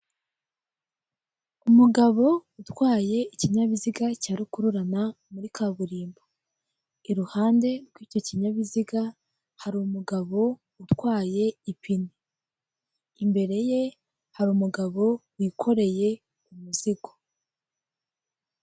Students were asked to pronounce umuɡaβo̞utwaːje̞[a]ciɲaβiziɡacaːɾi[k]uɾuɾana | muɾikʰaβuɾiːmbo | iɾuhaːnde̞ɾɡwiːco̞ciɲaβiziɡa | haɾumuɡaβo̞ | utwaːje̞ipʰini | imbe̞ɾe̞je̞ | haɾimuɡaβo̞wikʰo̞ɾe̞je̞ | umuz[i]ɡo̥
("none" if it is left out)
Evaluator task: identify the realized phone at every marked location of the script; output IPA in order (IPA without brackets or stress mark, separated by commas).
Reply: i, k, i